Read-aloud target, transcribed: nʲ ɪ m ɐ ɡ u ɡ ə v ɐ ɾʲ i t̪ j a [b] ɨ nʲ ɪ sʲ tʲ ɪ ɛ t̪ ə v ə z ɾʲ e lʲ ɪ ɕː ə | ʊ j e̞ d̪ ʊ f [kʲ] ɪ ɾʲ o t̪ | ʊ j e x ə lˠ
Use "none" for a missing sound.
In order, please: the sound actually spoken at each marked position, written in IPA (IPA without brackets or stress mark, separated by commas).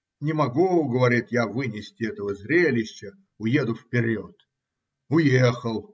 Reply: v, pʲ